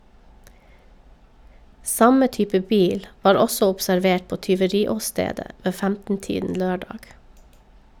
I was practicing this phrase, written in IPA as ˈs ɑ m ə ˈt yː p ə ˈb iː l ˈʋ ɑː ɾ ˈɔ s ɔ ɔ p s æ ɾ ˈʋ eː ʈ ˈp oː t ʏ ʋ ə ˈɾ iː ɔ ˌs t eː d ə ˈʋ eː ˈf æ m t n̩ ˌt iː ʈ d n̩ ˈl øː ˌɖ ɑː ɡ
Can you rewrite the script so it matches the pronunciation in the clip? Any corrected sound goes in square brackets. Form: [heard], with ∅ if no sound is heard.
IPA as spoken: ˈs ɑ m ə ˈt yː p ə ˈb iː l ˈʋ ɑː ɾ ˈɔ s ɔ ɔ p s æ ɾ ˈʋ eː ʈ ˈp oː t ʏ ʋ ə ˈɾ iː ɔ ˌs t eː d ə ˈʋ eː ˈf æ m t n̩ ˌt iː [∅] d n̩ ˈl øː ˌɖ ɑː ɡ